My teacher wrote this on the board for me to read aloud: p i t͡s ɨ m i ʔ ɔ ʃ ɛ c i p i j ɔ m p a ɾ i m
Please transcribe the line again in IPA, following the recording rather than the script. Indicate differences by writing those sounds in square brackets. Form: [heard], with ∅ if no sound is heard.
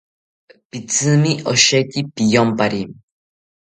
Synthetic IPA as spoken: p i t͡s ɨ m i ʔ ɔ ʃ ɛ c i p i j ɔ m p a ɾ i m